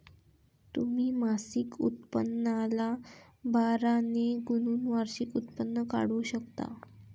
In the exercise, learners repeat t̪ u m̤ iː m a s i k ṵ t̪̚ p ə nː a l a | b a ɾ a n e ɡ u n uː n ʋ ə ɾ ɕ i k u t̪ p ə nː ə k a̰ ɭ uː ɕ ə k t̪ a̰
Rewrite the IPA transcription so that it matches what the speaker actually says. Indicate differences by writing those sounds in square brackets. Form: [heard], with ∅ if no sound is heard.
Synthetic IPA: t̪ u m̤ iː m a s i k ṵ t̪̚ p ə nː a l a | b a ɾ a n e ɡ u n uː n ʋ [a] ɾ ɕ i k u t̪ p ə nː ə k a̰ [ɽ] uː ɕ ə k t̪ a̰